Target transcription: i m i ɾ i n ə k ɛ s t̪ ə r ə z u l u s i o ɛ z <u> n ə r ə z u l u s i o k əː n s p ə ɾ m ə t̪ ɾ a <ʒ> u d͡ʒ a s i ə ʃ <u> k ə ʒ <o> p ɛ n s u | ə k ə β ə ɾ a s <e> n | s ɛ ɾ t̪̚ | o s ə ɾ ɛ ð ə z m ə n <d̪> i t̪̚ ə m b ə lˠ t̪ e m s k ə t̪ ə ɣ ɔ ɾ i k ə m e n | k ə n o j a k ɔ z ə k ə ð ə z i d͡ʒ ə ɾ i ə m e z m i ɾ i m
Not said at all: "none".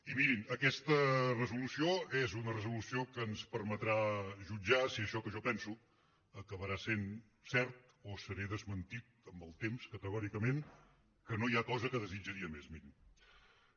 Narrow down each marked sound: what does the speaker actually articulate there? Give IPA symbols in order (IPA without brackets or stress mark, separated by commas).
u, ʒ, ɔ, ɔ, e, t̪